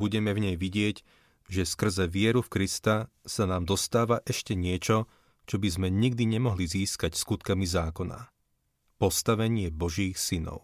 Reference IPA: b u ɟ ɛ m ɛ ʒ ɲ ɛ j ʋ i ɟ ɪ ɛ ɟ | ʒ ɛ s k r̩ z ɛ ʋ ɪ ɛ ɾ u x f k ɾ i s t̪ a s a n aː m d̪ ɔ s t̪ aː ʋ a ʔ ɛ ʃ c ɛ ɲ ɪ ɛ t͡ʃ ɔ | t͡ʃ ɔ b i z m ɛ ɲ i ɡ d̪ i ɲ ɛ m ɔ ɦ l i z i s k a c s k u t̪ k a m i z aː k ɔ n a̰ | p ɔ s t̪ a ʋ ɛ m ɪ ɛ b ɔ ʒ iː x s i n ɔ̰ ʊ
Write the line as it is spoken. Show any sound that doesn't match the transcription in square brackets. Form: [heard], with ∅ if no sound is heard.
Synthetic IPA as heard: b u ɟ ɛ m ɛ [v] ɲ ɛ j ʋ i ɟ ɪ ɛ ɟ | ʒ ɛ s k r̩ z ɛ ʋ ɪ ɛ ɾ u [∅] f k ɾ i s t̪ a s a n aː m d̪ ɔ s t̪ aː ʋ a ʔ ɛ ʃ c ɛ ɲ ɪ ɛ t͡ʃ ɔ | t͡ʃ ɔ b i z m ɛ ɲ i ɡ d̪ i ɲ ɛ m ɔ ɦ l i z [iː] s k a c s k u t̪ k a m i z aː k ɔ n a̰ | p ɔ s t̪ a ʋ ɛ [ɲ] ɪ ɛ b ɔ ʒ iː x s i n ɔ̰ ʊ